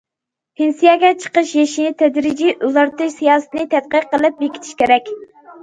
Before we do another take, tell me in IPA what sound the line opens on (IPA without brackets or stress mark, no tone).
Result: h